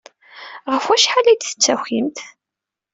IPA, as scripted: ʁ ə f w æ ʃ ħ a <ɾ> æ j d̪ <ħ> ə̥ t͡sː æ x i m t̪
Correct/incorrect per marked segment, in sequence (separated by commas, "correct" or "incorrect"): incorrect, incorrect